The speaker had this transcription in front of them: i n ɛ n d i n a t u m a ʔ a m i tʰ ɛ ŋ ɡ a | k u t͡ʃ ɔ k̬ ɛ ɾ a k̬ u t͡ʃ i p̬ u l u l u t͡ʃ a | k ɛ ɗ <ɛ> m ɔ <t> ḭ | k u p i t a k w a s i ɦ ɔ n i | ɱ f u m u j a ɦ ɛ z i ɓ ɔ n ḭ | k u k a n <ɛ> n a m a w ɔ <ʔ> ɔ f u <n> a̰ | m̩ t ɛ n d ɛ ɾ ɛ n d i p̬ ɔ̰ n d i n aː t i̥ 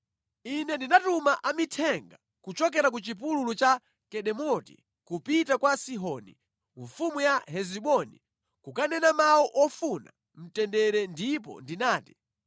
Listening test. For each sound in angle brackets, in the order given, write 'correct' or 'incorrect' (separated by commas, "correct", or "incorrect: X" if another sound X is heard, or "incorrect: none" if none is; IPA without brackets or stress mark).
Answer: correct, correct, correct, correct, correct